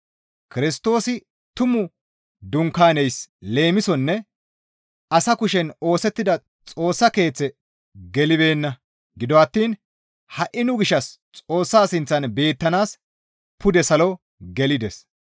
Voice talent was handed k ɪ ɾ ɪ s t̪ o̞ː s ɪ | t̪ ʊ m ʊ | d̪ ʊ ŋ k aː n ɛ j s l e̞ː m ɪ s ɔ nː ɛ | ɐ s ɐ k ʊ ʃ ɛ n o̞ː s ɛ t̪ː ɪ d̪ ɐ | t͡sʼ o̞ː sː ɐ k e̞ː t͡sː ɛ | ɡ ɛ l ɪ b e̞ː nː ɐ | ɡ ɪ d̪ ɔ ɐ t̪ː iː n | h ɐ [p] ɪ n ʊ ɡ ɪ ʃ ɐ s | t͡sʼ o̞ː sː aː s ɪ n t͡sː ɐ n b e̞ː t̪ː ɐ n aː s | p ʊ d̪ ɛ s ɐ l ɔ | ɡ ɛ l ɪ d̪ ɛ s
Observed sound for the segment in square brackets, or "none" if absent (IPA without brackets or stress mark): ʔ